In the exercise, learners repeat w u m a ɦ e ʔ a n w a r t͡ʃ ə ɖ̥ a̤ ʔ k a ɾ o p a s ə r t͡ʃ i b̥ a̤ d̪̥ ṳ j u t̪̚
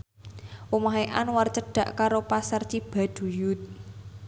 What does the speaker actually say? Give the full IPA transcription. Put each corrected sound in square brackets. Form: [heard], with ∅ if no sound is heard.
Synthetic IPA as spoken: w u m a ɦ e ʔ a n w a r t͡ʃ ə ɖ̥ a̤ ʔ k a ɾ o p a s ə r t͡ʃ i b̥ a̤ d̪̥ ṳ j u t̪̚